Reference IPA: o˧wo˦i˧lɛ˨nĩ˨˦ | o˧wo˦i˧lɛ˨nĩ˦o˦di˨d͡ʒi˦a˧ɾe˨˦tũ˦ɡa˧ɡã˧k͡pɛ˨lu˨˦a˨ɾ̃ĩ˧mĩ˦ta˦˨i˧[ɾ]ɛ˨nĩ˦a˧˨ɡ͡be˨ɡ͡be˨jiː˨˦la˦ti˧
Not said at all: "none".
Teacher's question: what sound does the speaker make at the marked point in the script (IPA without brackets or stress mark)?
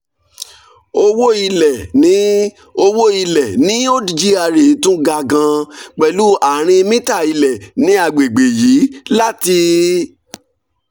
l